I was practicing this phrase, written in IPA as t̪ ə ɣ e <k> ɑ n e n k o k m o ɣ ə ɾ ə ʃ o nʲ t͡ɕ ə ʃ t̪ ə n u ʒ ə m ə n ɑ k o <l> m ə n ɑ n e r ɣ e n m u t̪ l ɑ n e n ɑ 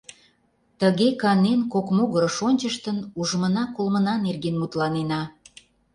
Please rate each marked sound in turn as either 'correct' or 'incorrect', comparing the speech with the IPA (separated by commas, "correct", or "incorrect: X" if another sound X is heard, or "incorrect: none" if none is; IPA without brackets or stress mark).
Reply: correct, correct